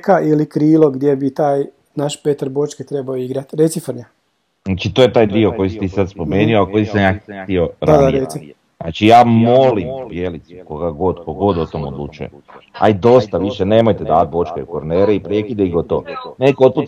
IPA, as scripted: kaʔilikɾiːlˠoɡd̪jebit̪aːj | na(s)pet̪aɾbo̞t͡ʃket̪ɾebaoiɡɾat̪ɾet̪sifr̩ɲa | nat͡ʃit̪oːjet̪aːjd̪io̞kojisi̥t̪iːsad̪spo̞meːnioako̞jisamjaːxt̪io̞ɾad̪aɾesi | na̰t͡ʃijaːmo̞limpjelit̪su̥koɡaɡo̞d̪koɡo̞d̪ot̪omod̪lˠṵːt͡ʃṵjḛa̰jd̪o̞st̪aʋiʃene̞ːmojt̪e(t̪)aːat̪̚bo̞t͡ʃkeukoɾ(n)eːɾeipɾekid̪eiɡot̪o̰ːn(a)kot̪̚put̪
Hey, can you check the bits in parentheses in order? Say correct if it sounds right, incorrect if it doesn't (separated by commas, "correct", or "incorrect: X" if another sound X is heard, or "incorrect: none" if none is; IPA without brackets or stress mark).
incorrect: ʃ, incorrect: d̪, correct, incorrect: e